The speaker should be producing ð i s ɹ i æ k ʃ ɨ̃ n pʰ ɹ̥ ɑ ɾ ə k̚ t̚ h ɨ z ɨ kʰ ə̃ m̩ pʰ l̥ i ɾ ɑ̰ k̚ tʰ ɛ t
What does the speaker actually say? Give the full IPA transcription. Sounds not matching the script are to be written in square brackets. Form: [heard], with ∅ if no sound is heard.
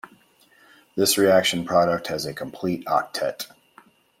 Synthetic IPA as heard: ð [ɪ] s ɹ i æ k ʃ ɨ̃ n pʰ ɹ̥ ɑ ɾ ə k̚ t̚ h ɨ z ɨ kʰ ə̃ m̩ pʰ l̥ i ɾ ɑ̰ k̚ tʰ ɛ t

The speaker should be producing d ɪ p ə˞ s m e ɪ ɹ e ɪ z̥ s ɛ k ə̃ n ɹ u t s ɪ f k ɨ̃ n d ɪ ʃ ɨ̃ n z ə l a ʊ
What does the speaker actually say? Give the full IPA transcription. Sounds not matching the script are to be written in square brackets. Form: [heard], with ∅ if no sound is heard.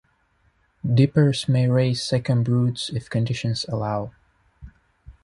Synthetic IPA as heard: d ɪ p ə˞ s m e ɪ ɹ e ɪ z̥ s ɛ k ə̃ n ɹ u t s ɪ f k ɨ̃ n d ɪ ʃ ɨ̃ n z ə l a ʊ

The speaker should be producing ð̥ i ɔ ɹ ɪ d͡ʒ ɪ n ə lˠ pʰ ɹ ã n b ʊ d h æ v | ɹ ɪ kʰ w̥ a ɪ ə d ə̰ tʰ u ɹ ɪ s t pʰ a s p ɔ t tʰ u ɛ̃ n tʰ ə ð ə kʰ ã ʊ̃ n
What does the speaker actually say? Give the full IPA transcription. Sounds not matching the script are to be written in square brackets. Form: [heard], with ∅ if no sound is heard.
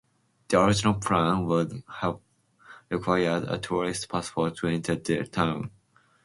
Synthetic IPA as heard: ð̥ i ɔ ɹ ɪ d͡ʒ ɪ n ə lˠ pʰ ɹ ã n [w] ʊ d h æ v | ɹ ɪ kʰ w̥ a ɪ ə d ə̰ tʰ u ɹ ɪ s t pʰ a s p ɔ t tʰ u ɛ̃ n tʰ ə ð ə [tʰ] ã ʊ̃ n

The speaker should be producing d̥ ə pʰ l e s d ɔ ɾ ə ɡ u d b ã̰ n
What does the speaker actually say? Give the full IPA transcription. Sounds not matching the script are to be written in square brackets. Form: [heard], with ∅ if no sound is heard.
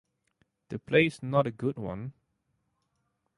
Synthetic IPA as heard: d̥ ə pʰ l e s [n] ɔ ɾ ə ɡ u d [w] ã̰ n

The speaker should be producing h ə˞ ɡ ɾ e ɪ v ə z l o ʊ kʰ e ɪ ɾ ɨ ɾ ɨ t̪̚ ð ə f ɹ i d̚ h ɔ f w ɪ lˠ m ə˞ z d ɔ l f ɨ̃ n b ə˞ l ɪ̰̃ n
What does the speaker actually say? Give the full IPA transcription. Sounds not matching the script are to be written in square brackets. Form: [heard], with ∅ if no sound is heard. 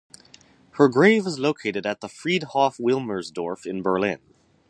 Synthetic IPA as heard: h ə˞ ɡ [ɹ] e ɪ v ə z l o ʊ kʰ e ɪ ɾ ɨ ɾ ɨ t̪̚ ð ə f ɹ i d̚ h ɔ f w ɪ lˠ m ə˞ z d ɔ [ɹ] f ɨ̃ n b ə˞ l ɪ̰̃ n

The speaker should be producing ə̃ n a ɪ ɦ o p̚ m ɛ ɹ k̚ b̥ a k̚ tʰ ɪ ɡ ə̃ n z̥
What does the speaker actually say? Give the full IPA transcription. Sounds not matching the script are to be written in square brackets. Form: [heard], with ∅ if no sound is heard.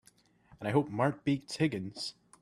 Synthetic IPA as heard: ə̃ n a ɪ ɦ o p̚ m [a] ɹ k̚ b̥ [i] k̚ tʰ ɪ ɡ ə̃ n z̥

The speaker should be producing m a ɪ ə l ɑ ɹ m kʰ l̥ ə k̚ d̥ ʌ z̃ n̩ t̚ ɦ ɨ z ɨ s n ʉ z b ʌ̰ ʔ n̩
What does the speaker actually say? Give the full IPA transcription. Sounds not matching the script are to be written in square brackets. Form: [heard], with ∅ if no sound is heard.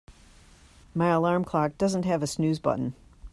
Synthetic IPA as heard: m a ɪ ə l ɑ ɹ m kʰ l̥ [ɑ] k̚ d̥ ʌ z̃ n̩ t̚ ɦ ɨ [v] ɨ s n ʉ z b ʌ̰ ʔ n̩

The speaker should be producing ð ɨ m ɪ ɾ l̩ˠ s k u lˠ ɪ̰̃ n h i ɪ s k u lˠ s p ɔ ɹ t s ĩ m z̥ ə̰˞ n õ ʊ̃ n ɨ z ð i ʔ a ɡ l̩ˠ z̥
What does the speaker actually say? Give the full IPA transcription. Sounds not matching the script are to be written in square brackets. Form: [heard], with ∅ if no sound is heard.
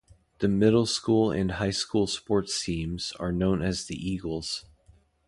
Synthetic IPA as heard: ð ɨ m ɪ ɾ l̩ˠ s k u lˠ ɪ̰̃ n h [a] ɪ s k u lˠ s p ɔ ɹ t s ĩ m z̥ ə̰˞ n õ ʊ̃ n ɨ z ð i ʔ [i] ɡ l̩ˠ z̥

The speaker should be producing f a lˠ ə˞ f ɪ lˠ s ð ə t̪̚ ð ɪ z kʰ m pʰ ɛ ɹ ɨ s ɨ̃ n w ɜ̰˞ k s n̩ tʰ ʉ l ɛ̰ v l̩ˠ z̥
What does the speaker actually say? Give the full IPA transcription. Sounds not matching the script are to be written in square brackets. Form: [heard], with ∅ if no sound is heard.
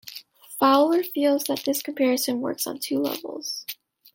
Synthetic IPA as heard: f a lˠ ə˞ f [i] lˠ [z] ð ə t̪̚ ð ɪ [s] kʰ m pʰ ɛ ɹ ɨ s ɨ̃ n w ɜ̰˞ k s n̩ tʰ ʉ l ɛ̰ v l̩ˠ z̥

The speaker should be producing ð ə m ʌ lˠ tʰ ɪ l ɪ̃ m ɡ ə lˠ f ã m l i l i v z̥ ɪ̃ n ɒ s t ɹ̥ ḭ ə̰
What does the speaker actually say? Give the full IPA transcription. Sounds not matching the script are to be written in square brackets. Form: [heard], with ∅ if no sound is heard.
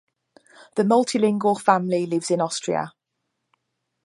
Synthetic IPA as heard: ð ə m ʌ lˠ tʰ ɪ l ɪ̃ [ŋ] ɡ ə lˠ f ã m l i l [ɪ] v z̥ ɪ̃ n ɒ s t ɹ̥ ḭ ə̰

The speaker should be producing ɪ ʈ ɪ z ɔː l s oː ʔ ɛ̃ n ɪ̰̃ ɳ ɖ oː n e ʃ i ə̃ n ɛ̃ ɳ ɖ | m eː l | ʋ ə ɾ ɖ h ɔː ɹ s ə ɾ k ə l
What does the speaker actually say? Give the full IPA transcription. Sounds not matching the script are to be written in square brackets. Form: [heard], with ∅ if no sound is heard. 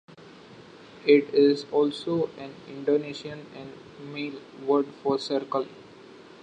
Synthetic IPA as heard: ɪ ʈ ɪ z ɔː l s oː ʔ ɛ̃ n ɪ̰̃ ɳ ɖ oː n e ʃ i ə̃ n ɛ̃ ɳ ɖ | m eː l | ʋ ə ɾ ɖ [f] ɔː [ɾ] s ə ɾ k ə l

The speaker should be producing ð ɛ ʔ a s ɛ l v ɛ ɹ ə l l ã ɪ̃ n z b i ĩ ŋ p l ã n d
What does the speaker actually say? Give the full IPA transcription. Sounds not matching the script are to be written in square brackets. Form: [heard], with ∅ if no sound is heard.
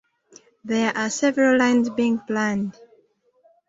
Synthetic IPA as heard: ð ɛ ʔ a s ɛ [∅] v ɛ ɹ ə l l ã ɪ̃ n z b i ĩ ŋ p l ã n d

